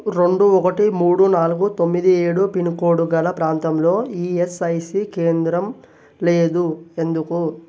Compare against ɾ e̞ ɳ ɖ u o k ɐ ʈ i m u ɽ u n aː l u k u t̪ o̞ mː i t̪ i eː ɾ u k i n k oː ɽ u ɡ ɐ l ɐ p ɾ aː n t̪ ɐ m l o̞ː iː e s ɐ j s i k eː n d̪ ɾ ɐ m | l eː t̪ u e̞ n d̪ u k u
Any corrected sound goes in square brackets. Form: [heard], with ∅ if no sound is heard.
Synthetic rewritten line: ɾ e̞ ɳ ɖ u [ɔ] k ɐ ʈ i m [uː] ɽ u n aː l u [ɡ] u t̪ o̞ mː i [d̪] i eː [ɽ] u [p] i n k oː ɽ u ɡ ɐ l ɐ p ɾ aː n t̪ ɐ m l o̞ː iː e s ɐ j s i k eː n d̪ ɾ ɐ m | l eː [d̪] u e̞ n d̪ u k u